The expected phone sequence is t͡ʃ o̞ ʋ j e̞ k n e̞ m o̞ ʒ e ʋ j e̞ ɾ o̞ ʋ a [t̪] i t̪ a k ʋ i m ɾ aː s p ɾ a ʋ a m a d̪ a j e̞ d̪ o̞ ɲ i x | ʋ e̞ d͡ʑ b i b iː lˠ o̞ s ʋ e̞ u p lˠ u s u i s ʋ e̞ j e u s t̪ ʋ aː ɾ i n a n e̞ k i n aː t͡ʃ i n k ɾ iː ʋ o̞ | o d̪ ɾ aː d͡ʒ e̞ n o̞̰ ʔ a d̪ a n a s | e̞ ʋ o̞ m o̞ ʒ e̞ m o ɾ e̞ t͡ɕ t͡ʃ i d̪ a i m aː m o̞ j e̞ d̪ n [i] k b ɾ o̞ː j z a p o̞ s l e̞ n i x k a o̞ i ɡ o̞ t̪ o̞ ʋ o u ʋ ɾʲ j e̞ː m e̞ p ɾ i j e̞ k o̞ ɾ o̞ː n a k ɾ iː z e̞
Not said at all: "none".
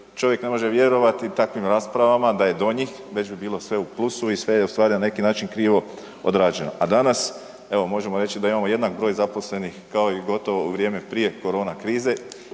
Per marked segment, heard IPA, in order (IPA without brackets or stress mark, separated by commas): t̪, a